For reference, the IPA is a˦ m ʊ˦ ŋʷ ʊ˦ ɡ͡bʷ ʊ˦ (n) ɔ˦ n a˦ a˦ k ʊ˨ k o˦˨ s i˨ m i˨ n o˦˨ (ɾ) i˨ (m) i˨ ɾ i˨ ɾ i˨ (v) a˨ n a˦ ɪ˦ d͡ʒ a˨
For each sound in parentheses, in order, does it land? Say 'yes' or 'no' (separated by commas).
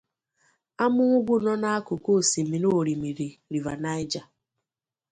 yes, yes, yes, yes